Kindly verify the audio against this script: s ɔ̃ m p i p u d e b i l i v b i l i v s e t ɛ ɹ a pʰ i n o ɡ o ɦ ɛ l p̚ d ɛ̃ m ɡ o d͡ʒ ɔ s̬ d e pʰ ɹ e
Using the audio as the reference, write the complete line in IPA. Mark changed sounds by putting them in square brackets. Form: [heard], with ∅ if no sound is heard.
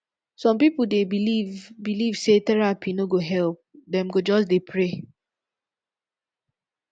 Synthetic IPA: s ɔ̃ m p i p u d e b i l i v b i l i v s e t ɛ ɹ a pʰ i n o ɡ o ɦ ɛ l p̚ d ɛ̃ m ɡ o d͡ʒ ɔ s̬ d e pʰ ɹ e